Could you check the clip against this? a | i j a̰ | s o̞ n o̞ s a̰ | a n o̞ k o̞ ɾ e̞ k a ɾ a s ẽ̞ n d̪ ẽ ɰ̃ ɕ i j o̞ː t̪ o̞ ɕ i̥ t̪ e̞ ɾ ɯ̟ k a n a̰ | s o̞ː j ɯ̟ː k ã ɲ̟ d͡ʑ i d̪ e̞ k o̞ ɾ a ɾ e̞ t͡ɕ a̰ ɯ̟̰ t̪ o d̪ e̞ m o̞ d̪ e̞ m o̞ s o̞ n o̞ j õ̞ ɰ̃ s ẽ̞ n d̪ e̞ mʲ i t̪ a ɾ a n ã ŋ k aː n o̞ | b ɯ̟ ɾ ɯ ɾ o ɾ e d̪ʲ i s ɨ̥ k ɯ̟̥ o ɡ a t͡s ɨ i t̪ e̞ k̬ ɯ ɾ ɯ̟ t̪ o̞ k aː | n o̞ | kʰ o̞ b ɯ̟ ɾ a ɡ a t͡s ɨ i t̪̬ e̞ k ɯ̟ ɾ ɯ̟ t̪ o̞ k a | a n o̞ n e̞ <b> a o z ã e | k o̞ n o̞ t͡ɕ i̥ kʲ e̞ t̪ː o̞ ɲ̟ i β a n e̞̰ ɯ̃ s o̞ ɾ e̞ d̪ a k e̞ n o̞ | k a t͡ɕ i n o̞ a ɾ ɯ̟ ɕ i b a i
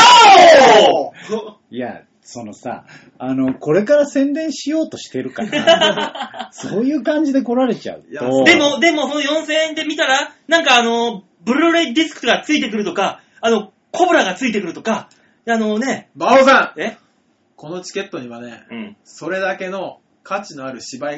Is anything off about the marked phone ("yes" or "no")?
no